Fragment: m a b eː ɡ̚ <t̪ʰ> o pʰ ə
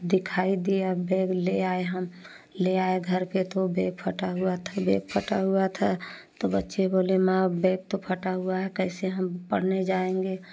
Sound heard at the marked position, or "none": t̪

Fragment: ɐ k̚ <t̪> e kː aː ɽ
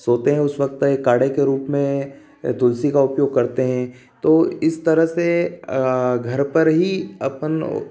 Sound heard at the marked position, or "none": t̪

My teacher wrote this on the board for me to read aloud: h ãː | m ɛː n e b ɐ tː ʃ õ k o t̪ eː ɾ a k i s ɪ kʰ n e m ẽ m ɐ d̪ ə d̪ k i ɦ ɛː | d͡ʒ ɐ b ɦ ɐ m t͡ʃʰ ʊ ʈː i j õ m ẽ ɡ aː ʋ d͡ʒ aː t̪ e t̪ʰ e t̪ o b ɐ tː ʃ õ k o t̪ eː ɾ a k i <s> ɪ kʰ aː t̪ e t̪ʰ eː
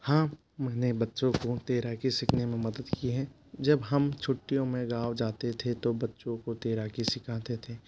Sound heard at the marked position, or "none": s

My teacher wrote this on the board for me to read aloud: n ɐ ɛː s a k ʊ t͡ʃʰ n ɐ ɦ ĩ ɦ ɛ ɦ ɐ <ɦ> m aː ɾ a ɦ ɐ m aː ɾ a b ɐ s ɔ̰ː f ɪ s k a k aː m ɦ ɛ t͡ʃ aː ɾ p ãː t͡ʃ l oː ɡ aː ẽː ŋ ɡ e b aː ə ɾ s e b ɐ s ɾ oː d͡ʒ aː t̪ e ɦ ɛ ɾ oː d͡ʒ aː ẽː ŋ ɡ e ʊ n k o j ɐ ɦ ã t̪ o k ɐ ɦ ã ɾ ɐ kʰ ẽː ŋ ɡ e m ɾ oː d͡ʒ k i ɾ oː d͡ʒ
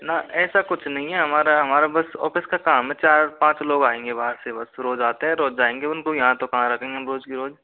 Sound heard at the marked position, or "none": none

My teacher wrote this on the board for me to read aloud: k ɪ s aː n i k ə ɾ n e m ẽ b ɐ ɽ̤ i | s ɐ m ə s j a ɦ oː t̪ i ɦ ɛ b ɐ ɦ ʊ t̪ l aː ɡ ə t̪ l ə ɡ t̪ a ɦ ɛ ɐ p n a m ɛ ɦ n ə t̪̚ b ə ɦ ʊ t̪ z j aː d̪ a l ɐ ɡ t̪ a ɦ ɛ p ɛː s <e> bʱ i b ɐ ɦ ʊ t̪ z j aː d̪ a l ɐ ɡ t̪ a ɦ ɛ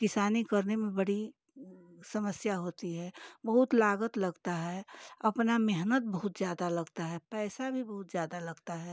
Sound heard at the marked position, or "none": a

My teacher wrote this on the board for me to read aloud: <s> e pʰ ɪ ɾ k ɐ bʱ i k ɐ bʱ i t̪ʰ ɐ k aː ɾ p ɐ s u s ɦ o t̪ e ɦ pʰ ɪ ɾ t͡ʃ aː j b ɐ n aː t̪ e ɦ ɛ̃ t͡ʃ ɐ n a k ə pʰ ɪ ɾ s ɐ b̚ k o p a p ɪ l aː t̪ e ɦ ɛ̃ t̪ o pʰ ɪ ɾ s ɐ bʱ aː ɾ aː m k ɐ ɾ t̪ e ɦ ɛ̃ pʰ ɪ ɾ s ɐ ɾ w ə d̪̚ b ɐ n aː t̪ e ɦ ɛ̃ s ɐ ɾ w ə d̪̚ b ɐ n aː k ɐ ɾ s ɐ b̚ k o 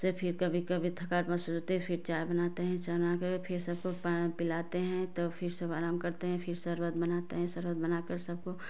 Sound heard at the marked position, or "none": s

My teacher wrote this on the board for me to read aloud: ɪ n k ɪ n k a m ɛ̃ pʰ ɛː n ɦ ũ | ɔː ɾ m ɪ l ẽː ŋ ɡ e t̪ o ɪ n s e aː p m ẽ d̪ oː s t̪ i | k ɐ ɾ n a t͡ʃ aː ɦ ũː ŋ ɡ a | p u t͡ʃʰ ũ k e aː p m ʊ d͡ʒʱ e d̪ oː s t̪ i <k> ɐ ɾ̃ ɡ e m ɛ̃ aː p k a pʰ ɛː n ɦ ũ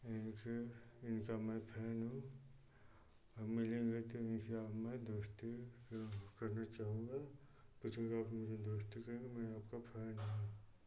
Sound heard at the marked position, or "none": k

